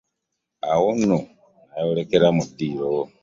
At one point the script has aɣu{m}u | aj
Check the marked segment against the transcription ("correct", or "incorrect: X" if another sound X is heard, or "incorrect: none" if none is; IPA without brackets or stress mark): incorrect: n